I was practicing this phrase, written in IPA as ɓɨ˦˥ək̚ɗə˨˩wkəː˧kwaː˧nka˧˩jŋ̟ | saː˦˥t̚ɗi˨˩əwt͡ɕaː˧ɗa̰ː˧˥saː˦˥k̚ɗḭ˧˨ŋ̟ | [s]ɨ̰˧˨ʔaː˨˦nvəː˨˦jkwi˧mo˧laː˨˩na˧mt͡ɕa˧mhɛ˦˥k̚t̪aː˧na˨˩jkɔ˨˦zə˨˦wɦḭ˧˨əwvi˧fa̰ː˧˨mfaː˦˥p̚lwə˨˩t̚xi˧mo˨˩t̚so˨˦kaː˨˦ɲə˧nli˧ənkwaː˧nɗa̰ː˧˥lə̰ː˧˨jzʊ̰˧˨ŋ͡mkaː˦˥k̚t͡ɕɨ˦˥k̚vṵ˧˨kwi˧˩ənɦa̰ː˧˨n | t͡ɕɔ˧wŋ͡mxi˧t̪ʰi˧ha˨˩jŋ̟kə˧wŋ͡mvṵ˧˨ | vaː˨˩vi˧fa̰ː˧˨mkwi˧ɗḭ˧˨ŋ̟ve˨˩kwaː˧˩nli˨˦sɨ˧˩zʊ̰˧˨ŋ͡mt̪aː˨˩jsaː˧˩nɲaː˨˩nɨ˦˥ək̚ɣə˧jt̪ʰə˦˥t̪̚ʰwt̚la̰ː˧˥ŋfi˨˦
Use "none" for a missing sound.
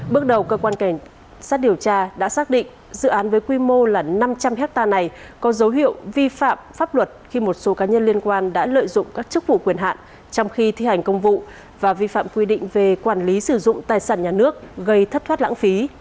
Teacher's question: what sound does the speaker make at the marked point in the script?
z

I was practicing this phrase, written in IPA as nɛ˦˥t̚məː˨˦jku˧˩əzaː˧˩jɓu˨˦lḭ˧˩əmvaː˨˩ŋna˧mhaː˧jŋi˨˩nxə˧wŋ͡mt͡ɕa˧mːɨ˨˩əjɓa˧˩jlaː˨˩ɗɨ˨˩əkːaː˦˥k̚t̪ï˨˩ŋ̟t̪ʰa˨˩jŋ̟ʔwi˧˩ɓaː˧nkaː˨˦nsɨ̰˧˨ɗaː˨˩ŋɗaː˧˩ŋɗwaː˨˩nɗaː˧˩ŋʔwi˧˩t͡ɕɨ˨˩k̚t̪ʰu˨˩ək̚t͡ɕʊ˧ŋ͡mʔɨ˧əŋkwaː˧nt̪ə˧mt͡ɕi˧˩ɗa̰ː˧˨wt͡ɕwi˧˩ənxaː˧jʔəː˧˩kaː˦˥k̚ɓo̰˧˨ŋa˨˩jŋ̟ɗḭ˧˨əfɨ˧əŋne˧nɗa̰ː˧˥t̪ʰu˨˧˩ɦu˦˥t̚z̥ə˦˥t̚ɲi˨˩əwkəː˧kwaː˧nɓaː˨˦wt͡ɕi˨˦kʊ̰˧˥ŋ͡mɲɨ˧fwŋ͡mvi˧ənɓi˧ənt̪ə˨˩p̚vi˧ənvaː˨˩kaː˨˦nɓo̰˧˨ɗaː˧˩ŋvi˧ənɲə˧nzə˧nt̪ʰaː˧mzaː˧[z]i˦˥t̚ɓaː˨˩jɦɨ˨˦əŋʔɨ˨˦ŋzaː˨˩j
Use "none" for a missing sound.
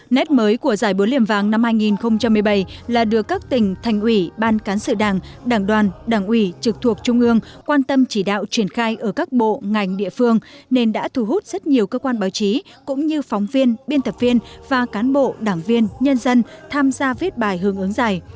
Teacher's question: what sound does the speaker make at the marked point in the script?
v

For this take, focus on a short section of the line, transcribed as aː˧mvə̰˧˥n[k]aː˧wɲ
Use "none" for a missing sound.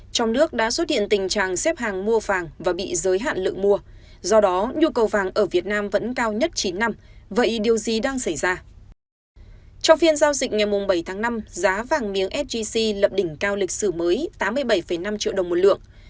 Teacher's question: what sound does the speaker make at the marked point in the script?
k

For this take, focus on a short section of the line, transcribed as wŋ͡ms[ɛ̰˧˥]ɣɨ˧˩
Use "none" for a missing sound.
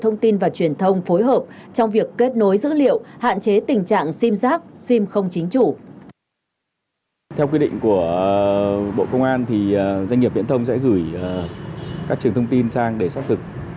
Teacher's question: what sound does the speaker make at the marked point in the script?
ɛ̰˧˥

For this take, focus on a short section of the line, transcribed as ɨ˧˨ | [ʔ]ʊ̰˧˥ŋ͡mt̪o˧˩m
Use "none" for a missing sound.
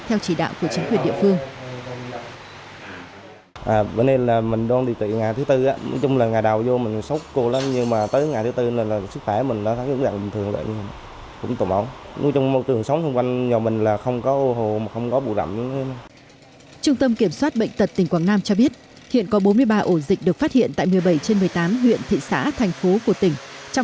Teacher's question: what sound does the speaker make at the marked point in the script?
k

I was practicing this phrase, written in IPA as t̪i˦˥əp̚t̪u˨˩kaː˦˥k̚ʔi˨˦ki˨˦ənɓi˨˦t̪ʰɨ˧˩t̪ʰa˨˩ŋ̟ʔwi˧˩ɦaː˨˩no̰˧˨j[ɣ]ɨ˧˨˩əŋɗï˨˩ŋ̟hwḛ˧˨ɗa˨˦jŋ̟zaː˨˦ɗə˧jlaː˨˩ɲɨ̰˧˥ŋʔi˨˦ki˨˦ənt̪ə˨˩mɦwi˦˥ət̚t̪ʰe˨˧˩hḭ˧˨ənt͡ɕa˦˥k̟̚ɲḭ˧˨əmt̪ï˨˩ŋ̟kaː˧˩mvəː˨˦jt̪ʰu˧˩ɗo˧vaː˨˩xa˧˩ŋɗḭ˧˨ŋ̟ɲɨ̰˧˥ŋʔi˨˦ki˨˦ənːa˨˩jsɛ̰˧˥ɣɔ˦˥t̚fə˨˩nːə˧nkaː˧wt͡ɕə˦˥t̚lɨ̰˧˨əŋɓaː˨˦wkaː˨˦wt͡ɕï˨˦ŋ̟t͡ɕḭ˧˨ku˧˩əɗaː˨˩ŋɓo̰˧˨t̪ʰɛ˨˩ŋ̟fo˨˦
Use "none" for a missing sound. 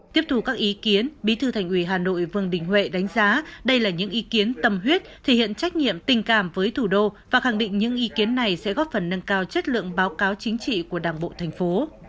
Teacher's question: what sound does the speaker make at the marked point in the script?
v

